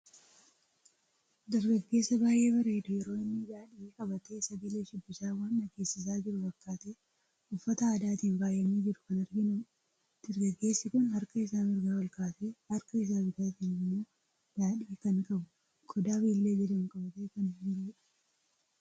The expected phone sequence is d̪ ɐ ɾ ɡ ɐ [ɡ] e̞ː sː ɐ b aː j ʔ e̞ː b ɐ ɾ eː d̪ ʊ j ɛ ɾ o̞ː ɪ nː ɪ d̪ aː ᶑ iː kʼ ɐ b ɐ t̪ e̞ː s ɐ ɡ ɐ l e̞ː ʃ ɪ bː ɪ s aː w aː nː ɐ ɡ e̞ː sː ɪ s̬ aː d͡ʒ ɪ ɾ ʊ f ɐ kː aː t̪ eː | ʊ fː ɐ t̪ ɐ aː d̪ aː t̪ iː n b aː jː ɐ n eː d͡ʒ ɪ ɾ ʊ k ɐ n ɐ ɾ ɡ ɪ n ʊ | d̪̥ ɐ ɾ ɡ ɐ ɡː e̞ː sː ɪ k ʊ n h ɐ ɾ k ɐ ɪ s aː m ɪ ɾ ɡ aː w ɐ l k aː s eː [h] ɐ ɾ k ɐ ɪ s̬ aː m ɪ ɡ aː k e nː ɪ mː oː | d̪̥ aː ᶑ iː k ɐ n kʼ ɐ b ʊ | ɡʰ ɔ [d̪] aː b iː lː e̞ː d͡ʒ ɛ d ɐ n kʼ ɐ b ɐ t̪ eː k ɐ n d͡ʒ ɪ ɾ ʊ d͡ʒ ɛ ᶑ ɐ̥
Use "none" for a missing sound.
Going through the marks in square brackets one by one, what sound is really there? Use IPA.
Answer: ɡː, h, d̪

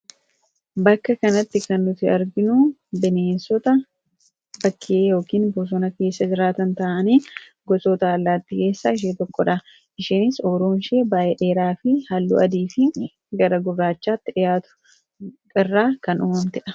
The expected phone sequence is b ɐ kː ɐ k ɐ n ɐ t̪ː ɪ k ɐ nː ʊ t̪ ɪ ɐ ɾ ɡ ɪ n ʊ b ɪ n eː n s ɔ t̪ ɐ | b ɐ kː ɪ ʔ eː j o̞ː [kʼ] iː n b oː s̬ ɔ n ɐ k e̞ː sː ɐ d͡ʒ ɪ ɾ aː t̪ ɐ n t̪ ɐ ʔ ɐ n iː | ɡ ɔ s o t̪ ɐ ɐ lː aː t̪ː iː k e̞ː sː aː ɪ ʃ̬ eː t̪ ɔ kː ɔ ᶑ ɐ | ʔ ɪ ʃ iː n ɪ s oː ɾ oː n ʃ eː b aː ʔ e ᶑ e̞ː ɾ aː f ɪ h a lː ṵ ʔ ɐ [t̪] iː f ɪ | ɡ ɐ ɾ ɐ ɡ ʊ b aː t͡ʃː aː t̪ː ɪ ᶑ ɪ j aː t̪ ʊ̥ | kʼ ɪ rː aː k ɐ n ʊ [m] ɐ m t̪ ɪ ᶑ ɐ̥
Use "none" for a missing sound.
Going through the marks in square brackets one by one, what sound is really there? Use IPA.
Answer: k, d̪, m

